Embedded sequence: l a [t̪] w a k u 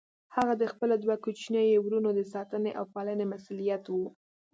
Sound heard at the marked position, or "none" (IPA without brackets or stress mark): d̪